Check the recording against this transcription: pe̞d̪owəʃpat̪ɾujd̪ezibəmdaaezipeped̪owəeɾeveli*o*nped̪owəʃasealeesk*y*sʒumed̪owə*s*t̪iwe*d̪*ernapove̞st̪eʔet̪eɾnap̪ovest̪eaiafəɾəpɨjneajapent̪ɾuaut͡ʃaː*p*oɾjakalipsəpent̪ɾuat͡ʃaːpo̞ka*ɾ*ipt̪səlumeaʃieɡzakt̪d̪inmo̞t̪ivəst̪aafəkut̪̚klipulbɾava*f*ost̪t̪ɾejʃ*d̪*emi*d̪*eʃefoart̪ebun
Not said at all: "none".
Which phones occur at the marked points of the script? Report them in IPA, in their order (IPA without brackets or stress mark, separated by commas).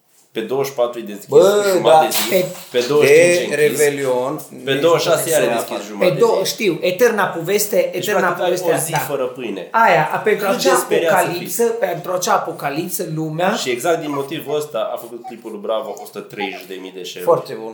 o, i, ʃ, t̪, p, l, f, d̪, d̪